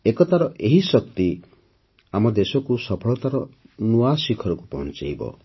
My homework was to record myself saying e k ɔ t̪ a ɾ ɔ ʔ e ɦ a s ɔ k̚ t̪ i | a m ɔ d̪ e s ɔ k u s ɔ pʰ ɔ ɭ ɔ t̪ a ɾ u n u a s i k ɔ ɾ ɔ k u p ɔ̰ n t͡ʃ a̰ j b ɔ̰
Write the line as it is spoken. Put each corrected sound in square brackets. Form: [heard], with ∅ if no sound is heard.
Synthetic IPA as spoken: e k ɔ t̪ a ɾ ɔ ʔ e ɦ [i] s ɔ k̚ t̪ i | a m ɔ d̪ e s ɔ k u s ɔ pʰ ɔ ɭ ɔ t̪ a ɾ [ɔ] n u a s i [kʰ] ɔ ɾ ɔ k u p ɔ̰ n t͡ʃ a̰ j b ɔ̰